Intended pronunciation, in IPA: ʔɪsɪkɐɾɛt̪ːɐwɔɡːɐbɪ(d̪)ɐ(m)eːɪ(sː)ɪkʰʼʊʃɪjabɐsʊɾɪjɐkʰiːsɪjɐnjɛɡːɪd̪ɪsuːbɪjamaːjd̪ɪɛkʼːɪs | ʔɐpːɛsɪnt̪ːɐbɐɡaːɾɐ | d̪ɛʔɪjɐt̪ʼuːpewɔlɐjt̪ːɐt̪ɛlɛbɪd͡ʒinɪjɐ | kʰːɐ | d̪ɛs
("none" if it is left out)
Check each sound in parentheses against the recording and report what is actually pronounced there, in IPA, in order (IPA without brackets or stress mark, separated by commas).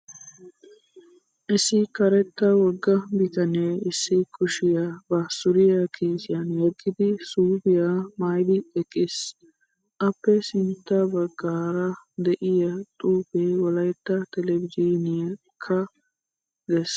t̪, n, sː